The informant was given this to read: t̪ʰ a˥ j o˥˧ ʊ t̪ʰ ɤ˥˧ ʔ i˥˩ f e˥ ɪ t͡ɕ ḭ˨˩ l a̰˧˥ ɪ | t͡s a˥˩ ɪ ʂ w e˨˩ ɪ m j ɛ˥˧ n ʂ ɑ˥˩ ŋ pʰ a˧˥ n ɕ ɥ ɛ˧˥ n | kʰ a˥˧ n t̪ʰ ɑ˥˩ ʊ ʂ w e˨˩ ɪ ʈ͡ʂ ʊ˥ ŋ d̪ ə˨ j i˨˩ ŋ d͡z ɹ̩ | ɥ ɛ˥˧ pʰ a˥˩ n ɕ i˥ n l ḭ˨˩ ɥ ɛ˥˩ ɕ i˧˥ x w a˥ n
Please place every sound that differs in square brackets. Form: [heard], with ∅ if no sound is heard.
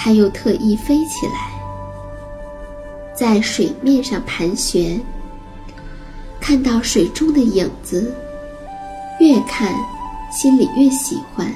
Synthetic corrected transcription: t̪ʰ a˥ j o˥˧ ʊ t̪ʰ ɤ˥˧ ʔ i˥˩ f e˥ ɪ [t͡ɕʰ] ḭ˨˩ l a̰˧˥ ɪ | t͡s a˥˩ ɪ ʂ w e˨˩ ɪ m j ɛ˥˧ n ʂ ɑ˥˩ ŋ pʰ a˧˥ n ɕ ɥ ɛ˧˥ n | kʰ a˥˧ n [t̪] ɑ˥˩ ʊ ʂ w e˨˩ ɪ ʈ͡ʂ ʊ˥ ŋ d̪ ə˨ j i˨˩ ŋ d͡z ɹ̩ | ɥ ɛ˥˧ [kʰ] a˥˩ n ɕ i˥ n l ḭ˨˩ ɥ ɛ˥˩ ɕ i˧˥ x w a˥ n